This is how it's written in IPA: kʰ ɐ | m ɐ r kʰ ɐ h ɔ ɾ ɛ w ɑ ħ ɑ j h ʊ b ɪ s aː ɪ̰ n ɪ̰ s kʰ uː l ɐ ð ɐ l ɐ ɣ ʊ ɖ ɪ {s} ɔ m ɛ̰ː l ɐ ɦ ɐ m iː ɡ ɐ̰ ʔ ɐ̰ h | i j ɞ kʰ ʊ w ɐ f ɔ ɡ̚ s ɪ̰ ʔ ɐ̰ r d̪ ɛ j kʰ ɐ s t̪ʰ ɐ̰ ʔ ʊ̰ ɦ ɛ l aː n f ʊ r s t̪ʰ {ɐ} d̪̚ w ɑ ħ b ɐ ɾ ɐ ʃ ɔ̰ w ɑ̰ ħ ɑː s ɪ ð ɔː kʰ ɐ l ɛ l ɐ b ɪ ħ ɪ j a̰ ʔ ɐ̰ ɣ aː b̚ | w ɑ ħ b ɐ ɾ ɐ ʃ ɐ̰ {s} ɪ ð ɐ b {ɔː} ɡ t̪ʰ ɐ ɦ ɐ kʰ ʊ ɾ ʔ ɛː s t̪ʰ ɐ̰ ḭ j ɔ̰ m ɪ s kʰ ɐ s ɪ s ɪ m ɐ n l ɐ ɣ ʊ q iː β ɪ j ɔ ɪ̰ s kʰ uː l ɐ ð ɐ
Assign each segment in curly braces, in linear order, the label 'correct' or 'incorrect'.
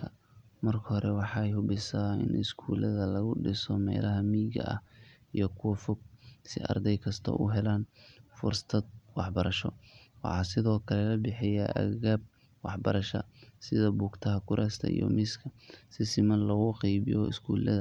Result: correct, correct, correct, incorrect: uː

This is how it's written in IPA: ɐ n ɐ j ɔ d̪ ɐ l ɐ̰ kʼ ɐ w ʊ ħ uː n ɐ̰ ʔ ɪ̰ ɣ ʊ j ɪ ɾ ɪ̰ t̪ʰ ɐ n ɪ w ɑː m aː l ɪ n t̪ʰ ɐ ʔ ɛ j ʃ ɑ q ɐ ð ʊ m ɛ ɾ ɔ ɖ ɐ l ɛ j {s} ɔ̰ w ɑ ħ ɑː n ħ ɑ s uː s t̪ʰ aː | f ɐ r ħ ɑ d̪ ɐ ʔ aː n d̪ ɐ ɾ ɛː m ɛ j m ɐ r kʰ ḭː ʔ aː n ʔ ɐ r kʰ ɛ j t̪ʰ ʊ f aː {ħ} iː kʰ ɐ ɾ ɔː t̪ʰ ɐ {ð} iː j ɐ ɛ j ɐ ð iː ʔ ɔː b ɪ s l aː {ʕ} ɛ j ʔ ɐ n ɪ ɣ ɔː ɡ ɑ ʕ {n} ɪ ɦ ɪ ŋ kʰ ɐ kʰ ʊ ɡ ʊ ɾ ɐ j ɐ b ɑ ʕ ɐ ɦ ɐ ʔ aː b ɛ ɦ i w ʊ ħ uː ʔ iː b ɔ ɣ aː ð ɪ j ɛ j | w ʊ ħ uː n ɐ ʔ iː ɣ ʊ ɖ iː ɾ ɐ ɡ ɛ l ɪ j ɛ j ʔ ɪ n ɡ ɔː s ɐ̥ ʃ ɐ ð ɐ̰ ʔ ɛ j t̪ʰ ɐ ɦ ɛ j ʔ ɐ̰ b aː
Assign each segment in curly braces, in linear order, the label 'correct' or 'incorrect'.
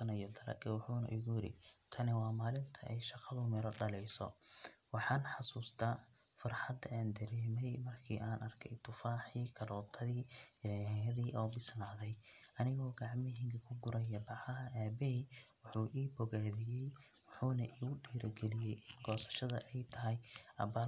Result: correct, correct, correct, incorrect: ð, incorrect: m

